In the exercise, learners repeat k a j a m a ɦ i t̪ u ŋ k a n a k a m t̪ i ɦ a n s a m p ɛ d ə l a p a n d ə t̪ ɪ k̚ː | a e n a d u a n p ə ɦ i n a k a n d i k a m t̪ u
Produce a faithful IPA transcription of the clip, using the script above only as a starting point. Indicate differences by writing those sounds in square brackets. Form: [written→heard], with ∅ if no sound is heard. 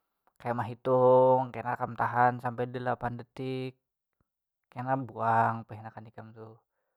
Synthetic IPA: k a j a m a ɦ i t̪ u ŋ k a n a k a m t̪ [i→a] ɦ a n s a m p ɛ d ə l a p a n d ə t̪ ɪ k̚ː | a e n a [d→b] u a [n→ŋ] p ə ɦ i n a k a n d i k a m t̪ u